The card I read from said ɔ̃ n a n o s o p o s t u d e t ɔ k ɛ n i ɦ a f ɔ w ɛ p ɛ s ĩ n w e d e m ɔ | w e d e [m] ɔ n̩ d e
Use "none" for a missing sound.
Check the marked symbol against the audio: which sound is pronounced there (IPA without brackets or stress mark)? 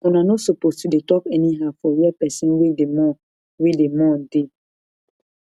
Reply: m